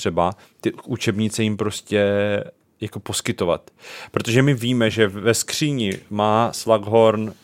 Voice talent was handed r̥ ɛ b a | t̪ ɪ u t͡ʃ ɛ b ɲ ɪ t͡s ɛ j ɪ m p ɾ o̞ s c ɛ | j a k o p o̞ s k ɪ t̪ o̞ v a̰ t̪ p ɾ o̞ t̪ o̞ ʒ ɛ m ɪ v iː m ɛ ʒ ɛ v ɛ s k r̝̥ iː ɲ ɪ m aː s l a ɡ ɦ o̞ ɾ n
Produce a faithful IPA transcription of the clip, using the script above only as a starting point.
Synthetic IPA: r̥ ɛ b a | t̪ ɪ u t͡ʃ ɛ b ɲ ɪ t͡s ɛ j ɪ m p ɾ o̞ s c ɛ | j a k o p o̞ s k ɪ t̪ o̞ v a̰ t̪ p ɾ o̞ t̪ o̞ ʒ ɛ m ɪ v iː m ɛ ʒ ɛ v ɛ s k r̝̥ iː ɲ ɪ m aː s l a ɡ ɦ o̞ ɾ n